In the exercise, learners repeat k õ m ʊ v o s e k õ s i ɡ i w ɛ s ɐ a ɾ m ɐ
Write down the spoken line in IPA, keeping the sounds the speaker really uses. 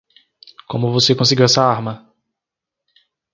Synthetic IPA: k õ m ʊ v o s e k õ s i ɡ i w ɛ s ɐ a ɾ m ɐ